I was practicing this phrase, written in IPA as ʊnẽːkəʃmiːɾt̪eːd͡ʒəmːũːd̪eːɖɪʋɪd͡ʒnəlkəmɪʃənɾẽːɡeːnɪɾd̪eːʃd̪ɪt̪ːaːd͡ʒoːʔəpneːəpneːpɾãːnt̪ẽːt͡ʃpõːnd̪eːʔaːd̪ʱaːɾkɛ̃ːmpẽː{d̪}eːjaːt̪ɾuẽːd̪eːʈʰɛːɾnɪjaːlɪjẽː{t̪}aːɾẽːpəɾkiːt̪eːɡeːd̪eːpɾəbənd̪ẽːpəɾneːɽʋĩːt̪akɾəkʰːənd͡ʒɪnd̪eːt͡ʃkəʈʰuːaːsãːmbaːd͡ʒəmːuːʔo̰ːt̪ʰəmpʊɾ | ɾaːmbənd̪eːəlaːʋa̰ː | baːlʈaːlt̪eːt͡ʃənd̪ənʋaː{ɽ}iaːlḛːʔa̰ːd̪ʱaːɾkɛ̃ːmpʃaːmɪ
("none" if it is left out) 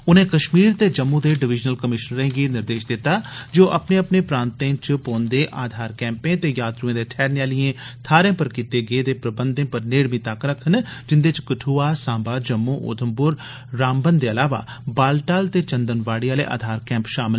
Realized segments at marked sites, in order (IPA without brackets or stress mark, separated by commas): t̪, t̪ʰ, ɽ